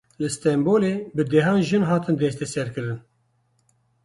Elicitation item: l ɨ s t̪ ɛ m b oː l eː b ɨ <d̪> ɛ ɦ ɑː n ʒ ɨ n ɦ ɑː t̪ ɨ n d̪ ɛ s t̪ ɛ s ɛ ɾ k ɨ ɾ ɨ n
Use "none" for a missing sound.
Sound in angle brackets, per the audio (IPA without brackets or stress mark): d̪